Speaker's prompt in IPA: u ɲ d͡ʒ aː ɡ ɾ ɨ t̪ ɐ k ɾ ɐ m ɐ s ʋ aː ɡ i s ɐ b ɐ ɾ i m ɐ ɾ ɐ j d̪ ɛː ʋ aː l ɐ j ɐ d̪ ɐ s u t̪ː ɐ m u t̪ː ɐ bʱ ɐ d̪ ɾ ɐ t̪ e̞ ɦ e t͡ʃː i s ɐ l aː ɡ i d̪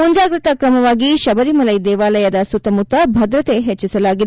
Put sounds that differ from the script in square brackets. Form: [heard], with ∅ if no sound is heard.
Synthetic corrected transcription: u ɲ d͡ʒ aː ɡ ɾ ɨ t̪ ɐ k ɾ ɐ m ɐ [∅] ʋ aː ɡ i [ʃ] ɐ b ɐ ɾ i m ɐ [l] ɐ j d̪ ɛː ʋ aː l ɐ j ɐ d̪ ɐ s u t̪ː ɐ m u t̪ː ɐ bʱ ɐ d̪ ɾ ɐ t̪ e̞ ɦ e t͡ʃː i s ɐ l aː ɡ i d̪

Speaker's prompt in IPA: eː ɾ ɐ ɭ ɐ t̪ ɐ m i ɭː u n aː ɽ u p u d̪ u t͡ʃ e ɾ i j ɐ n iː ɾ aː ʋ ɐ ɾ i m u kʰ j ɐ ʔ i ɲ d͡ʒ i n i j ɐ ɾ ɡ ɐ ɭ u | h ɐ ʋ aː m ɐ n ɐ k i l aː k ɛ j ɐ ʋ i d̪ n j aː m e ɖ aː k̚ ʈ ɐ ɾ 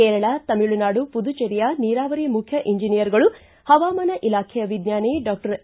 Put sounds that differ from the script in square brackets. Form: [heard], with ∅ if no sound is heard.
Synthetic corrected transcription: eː ɾ ɐ ɭ ɐ t̪ ɐ m i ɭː u n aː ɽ u p u d̪ u t͡ʃ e ɾ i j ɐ n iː ɾ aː ʋ ɐ ɾ i m u kʰ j ɐ ʔ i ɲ d͡ʒ i n i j ɐ ɾ ɡ ɐ ɭ u | h ɐ ʋ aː m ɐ n ɐ [ʔ] i l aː [kʰ] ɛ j ɐ ʋ i d̪ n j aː [n] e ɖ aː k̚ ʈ ɐ ɾ

